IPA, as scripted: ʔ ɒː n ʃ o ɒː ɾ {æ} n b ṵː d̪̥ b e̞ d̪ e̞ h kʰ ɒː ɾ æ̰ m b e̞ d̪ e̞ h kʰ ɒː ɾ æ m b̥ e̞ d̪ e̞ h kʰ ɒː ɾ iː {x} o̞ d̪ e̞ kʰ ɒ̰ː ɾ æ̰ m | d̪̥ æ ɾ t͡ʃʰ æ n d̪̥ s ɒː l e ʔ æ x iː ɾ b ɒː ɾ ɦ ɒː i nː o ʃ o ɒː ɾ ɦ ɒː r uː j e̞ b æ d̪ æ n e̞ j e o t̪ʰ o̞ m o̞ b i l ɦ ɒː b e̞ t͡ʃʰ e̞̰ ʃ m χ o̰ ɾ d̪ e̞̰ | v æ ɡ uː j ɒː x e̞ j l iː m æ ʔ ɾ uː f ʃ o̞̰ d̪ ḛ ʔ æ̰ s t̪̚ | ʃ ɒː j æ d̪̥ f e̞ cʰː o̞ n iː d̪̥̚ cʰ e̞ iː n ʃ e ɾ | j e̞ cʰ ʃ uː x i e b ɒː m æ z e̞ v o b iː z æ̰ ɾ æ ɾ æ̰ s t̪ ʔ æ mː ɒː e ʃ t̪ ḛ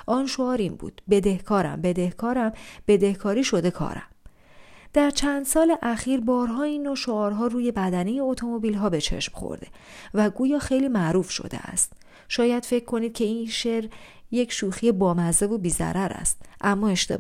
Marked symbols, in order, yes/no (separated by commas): no, no